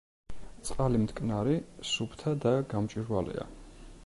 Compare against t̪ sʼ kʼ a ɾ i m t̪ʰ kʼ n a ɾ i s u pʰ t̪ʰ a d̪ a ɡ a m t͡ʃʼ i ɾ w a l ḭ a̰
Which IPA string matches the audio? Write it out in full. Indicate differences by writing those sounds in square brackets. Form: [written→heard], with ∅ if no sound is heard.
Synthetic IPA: t̪ sʼ [kʼ→qʼ] a [ɾ→l] i m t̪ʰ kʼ n a ɾ i s u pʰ t̪ʰ a d̪ a ɡ a m t͡ʃʼ i ɾ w a l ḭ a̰

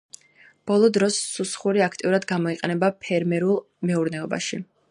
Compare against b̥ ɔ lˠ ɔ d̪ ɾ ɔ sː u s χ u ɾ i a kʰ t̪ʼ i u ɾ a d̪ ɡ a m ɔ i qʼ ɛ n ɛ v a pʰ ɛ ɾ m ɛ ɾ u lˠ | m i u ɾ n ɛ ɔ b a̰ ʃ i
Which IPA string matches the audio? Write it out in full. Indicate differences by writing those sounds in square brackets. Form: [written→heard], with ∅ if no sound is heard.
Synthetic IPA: b̥ ɔ lˠ ɔ d̪ ɾ ɔ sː u s χ u ɾ i a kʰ t̪ʼ i u ɾ a d̪ ɡ a m ɔ i qʼ ɛ n ɛ [v→b] a pʰ ɛ ɾ m ɛ ɾ u lˠ | m [i→ɛ] u ɾ n ɛ ɔ b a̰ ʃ i

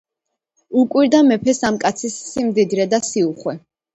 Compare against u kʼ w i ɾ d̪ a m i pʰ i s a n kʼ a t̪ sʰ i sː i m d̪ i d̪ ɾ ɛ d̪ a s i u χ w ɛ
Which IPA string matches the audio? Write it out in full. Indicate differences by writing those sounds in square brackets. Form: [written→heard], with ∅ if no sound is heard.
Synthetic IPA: u kʼ w i ɾ d̪ a m [i→ɛ] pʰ [i→ɛ] s a [n→m] kʼ a t̪ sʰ i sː i m d̪ i d̪ ɾ ɛ d̪ a s i u χ w ɛ

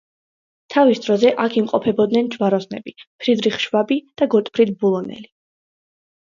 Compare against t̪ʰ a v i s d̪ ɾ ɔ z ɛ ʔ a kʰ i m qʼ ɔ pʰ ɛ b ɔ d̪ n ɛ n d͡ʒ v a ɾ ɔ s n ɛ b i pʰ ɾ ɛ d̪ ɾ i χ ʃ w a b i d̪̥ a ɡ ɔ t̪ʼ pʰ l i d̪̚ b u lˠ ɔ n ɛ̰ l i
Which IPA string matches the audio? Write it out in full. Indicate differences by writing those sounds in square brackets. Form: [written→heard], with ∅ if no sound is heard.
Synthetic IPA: t̪ʰ a v i s d̪ ɾ ɔ z ɛ ʔ a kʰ i m qʼ ɔ pʰ ɛ b ɔ d̪ n ɛ n d͡ʒ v a ɾ ɔ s n ɛ b i pʰ ɾ [ɛ→i] d̪ ɾ i χ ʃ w a b i d̪̥ a ɡ ɔ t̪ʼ pʰ [l→ɾ] i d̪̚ b u lˠ ɔ n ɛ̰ l i

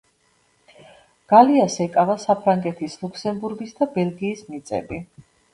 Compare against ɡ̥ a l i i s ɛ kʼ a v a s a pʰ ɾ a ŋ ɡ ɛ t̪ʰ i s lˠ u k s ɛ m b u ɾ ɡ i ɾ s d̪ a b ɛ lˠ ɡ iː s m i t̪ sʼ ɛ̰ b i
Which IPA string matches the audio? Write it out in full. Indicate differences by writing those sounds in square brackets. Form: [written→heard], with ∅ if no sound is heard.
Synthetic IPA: ɡ̥ a l i [i→a] s ɛ kʼ a v a s a pʰ ɾ a ŋ ɡ ɛ t̪ʰ i s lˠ u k s ɛ m b u ɾ ɡ i [ɾ→∅] s d̪ a b ɛ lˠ ɡ iː s m i t̪ sʼ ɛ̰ b i

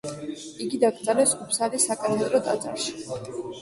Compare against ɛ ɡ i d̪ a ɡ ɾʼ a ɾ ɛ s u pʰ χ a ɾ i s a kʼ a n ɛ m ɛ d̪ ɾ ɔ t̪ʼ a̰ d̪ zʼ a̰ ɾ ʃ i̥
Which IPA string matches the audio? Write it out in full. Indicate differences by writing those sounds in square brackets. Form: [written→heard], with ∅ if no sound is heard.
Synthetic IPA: [ɛ→i] ɡ i d̪ a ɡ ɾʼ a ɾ ɛ s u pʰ [χ→s] a [ɾ→l] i s a kʼ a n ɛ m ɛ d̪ ɾ ɔ t̪ʼ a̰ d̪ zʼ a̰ ɾ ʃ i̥

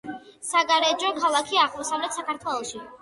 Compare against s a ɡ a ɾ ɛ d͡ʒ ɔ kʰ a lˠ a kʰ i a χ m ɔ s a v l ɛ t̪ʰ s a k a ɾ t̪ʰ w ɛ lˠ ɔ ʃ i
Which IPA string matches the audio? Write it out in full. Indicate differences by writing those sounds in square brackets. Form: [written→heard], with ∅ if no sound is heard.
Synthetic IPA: s a ɡ a ɾ ɛ d͡ʒ ɔ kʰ a lˠ a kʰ i a [χ→ʁ] m ɔ s a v l ɛ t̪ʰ s a k a ɾ t̪ʰ w ɛ lˠ ɔ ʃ i

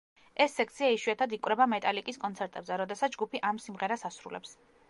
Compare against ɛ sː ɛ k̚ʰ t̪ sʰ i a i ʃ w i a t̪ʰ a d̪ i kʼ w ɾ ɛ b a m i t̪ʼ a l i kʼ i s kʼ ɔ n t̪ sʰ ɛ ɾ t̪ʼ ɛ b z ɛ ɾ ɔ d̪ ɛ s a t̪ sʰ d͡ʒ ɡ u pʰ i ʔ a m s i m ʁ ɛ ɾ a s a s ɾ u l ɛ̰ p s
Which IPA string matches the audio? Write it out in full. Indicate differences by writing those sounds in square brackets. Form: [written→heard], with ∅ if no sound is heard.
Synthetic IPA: ɛ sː ɛ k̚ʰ t̪ sʰ i a i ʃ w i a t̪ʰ a d̪ i kʼ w ɾ ɛ b a m [i→ɛ] t̪ʼ a l i kʼ i s kʼ ɔ n t̪ sʰ ɛ ɾ t̪ʼ ɛ b z ɛ ɾ ɔ d̪ ɛ s a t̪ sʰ d͡ʒ ɡ u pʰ i ʔ a m s i m ʁ ɛ ɾ a s a s ɾ u l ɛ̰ p s

